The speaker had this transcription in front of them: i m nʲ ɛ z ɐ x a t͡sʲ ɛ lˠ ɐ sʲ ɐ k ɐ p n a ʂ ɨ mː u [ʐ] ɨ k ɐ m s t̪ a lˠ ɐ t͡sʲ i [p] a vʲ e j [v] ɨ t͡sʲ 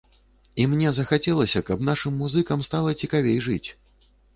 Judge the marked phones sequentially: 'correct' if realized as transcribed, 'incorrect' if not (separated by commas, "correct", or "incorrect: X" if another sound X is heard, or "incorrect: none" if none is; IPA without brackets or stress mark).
incorrect: z, incorrect: k, incorrect: ʐ